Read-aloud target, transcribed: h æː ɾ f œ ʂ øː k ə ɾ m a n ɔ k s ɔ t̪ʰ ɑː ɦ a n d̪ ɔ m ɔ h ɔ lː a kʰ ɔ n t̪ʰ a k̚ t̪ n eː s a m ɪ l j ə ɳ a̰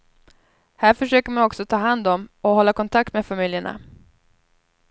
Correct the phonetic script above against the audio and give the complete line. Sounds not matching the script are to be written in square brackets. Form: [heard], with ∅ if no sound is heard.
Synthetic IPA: h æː ɾ f œ ʂ øː k ə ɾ m a n ɔ k s ɔ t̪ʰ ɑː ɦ a n d̪ ɔ m ɔ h ɔ lː a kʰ ɔ n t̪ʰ a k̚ t̪ [m] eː [f] a m ɪ l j ə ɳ a̰